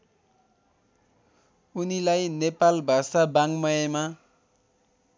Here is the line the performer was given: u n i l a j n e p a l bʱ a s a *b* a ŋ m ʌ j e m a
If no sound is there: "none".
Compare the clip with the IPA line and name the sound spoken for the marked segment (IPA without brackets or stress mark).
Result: b